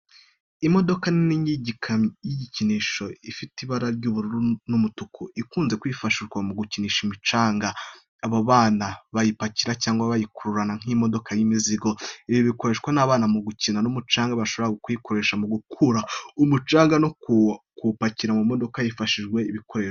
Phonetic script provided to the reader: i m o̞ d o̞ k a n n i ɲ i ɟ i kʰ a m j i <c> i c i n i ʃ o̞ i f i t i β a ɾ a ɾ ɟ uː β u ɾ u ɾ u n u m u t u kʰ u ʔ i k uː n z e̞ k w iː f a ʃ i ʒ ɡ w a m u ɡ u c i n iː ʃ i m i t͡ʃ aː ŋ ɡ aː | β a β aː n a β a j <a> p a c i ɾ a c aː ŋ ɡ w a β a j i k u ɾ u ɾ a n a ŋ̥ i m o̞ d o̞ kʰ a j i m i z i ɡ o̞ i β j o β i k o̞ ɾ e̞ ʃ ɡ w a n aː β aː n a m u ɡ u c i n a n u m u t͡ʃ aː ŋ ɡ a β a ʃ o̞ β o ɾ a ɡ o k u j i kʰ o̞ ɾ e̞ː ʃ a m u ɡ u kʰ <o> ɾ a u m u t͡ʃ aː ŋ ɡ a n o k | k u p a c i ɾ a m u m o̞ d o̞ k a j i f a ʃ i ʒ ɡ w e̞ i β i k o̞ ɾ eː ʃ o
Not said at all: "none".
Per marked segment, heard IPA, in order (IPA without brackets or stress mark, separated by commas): ɟ, i, u